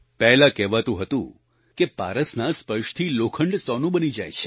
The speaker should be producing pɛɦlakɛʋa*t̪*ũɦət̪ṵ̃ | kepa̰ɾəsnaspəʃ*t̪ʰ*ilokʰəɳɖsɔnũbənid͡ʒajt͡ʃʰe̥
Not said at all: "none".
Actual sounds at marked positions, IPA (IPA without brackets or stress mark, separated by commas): t̪, t̪ʰ